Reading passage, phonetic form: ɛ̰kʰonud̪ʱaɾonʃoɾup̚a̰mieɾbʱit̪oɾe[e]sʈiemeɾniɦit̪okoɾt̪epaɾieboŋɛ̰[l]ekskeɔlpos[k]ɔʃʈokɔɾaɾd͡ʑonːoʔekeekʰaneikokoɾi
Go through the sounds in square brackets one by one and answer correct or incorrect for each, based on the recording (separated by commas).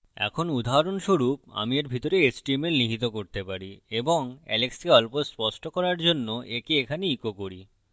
correct, correct, incorrect